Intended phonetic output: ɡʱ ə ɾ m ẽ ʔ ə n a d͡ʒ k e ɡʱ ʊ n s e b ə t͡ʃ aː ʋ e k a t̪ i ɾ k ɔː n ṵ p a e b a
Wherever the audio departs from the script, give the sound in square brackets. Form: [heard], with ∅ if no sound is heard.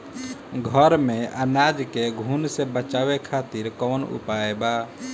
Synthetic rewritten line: ɡʱ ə ɾ m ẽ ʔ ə n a d͡ʒ k e ɡʱ [u] n s e b ə t͡ʃ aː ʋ e [kʰ] a t̪ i ɾ k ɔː n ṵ p a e b a